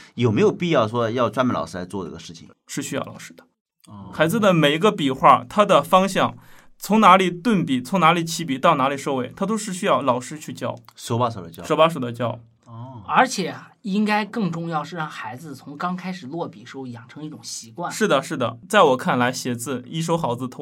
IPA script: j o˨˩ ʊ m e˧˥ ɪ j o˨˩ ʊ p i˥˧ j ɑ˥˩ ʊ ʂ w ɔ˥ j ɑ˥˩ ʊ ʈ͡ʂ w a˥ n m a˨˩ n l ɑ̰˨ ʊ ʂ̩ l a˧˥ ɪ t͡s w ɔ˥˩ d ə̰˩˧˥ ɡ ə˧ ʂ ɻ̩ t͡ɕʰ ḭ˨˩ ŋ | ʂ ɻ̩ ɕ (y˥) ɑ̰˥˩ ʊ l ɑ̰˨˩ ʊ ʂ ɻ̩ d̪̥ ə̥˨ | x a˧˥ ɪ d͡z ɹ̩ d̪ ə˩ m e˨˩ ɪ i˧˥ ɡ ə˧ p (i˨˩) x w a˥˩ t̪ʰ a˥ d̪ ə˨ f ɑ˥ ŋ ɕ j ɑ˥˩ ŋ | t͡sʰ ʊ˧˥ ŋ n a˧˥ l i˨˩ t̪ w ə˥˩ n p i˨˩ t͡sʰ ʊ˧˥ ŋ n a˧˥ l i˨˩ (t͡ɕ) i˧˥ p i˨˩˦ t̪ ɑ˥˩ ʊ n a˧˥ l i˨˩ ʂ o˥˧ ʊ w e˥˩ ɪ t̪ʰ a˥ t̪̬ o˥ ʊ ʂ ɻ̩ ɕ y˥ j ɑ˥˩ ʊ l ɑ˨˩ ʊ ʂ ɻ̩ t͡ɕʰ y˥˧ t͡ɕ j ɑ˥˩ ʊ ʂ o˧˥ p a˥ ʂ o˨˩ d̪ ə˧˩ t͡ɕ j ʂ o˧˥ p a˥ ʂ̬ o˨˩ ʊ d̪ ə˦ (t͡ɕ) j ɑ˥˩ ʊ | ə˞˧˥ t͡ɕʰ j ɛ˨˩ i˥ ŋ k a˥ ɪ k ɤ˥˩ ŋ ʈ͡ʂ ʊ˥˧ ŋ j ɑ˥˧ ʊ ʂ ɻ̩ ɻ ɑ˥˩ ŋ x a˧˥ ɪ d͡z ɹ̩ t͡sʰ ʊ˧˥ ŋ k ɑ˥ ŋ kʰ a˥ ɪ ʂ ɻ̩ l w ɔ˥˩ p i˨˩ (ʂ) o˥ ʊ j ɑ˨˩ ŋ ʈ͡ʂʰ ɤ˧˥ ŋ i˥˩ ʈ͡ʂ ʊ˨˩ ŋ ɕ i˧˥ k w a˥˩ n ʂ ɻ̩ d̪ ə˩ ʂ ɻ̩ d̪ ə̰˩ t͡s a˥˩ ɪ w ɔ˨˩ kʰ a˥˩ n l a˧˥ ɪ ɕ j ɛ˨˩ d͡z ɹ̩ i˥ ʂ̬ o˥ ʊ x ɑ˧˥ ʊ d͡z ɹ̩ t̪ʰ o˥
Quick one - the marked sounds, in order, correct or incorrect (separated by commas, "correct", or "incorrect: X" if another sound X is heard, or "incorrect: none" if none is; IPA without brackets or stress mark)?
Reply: correct, correct, incorrect: t͡ɕʰ, correct, correct